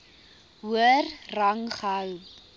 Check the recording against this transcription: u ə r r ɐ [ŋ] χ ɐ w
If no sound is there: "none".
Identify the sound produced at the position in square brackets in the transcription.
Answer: ŋ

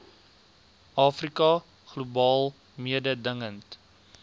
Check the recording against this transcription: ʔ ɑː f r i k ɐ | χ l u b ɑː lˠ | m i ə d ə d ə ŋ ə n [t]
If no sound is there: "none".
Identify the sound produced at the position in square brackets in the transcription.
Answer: t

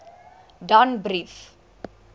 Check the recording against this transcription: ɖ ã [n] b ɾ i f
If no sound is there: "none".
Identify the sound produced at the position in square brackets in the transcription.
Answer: n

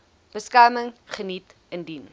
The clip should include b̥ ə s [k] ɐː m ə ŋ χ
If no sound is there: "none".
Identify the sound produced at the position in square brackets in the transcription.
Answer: k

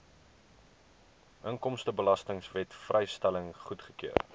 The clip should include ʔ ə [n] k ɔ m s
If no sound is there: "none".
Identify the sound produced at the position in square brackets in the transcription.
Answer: ŋ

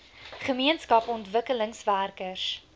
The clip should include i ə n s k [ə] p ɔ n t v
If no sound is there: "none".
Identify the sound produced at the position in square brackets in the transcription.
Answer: ɐ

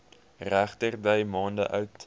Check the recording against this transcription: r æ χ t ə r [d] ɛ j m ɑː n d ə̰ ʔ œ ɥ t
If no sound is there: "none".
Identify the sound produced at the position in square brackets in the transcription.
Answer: d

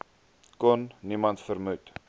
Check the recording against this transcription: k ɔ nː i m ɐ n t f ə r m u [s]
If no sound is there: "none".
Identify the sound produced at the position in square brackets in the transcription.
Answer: t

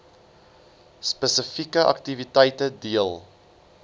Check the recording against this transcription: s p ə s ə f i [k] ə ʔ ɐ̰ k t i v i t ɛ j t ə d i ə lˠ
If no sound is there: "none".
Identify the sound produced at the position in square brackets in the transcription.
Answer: k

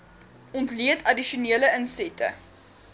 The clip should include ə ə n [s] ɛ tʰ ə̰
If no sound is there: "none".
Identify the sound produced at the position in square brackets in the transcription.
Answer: s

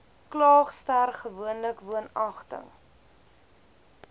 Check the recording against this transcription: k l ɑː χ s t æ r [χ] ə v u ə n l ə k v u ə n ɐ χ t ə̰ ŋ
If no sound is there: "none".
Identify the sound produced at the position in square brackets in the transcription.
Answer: χ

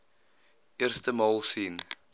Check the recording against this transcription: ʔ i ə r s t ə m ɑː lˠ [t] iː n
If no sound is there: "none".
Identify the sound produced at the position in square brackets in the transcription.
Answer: s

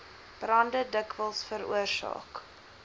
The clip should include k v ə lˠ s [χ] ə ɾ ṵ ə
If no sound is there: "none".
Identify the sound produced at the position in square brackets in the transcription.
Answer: f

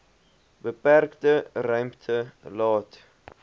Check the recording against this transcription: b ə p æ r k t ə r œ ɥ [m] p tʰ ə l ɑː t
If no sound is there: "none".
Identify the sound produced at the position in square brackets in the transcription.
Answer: m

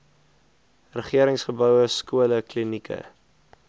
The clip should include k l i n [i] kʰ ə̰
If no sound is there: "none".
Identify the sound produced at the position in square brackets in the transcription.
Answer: i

